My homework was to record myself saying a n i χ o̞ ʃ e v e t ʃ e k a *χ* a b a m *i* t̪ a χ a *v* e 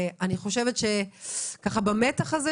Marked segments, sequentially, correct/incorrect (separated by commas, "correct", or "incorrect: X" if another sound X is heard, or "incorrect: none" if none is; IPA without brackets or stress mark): correct, incorrect: e, incorrect: z